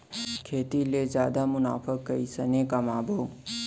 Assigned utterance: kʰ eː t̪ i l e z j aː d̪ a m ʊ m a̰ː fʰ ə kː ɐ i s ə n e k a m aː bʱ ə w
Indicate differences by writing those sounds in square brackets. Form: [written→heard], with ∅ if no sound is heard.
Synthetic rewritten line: kʰ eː t̪ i l e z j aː d̪ a m ʊ [m→n] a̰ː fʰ ə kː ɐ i s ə n e k a m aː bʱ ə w